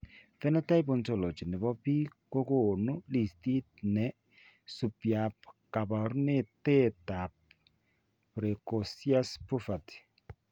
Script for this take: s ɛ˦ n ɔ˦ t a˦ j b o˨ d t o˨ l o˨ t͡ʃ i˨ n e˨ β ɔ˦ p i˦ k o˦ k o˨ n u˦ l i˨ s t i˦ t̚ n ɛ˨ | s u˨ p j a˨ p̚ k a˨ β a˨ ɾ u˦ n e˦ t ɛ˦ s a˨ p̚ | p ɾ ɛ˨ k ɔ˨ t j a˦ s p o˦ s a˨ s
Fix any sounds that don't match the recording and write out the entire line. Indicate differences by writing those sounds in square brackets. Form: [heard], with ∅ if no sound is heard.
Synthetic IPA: [f] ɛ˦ n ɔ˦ t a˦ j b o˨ [n] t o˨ l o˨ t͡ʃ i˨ n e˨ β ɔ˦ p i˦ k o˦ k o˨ n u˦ l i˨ s t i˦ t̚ n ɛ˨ | s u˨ p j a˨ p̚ k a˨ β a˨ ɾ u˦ n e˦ t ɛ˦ [t] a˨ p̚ | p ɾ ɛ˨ k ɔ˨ [s] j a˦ s p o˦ [f] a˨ [t]